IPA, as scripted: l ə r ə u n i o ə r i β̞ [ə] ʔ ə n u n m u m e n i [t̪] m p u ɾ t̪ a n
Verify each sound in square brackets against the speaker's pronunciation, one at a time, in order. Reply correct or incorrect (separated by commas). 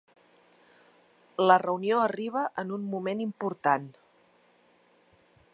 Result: correct, incorrect